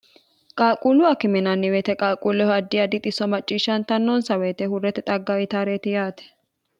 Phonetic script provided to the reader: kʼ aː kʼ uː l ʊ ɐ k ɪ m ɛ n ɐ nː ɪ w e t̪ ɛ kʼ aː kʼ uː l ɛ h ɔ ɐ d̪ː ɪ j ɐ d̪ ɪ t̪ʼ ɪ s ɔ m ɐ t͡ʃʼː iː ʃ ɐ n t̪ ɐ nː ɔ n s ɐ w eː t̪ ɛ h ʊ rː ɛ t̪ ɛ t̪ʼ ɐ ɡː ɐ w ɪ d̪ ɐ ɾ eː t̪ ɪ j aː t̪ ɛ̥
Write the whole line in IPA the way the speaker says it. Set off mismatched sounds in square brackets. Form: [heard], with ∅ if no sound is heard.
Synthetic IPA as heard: kʼ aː kʼ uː l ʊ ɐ k ɪ m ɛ n ɐ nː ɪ w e t̪ ɛ kʼ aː kʼ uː l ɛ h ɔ ɐ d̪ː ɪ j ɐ d̪ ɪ t̪ʼ ɪ s ɔ m ɐ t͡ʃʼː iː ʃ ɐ n t̪ ɐ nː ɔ n s ɐ w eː t̪ ɛ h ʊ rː ɛ t̪ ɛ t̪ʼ ɐ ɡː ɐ w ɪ [t̪] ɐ ɾ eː t̪ ɪ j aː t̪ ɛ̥